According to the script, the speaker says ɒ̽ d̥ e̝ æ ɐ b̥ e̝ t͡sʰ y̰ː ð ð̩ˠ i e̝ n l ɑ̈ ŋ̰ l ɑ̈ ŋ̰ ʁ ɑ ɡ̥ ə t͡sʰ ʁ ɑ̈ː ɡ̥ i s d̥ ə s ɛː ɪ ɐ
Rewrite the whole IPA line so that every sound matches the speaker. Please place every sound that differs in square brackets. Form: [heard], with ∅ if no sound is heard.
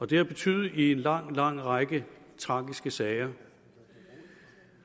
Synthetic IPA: ɒ̽ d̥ e̝ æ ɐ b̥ e̝ t͡sʰ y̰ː ð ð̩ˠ i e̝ n l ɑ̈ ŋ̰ l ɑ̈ ŋ̰ ʁ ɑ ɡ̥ ə t͡sʰ ʁ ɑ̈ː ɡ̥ i s [ɡ̥] ə s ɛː ɪ ɐ